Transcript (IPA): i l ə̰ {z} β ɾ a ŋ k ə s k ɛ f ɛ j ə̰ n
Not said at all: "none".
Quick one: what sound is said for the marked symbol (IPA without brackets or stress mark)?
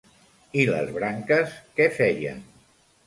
z